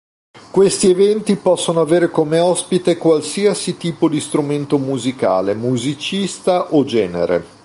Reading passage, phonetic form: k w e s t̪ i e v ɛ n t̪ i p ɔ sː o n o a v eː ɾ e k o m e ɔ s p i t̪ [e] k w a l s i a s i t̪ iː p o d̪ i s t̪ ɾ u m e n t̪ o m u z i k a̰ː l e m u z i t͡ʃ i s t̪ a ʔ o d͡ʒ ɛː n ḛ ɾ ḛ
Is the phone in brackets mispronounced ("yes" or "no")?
no